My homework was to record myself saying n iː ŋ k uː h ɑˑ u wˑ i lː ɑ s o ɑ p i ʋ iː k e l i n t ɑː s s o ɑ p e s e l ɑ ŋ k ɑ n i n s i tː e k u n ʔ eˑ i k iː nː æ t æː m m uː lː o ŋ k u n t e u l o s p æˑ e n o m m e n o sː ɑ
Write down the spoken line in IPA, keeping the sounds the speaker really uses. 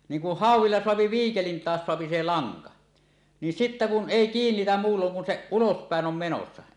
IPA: n iː ŋ k u h ɑˑ u wˑ i lː ɑ s o ɑ p i ʋ iː k e l i n t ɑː s s o ɑ p i s e l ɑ ŋ k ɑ n i n s i tː æ k u n ʔ eˑ i k iː nː i t æ m m uː lː o ŋ k u n s e u l o s p æˑ e n o m m e n o sː ɑ